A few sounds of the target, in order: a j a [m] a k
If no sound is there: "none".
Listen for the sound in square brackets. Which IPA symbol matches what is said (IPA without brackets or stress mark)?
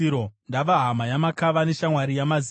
m